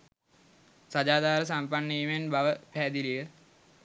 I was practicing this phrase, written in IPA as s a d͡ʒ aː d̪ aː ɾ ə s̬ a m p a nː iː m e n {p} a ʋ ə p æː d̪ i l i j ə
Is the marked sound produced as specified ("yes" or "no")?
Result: no